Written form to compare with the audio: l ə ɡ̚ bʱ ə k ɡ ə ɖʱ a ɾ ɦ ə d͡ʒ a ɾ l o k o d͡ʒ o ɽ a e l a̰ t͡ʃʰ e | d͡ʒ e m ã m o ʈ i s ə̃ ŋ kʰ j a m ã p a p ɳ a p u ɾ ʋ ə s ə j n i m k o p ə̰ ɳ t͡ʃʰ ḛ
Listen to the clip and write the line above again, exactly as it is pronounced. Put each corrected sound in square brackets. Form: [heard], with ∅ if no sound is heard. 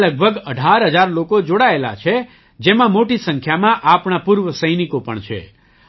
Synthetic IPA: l ə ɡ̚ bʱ ə [∅] ɡ ə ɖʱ a ɾ ɦ ə d͡ʒ a ɾ l o k o d͡ʒ o ɽ a e l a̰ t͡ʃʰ e | d͡ʒ e m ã m o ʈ i s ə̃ ŋ kʰ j a m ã [ʔ] a p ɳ a p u ɾ ʋ ə s ə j n i [∅] k o p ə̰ ɳ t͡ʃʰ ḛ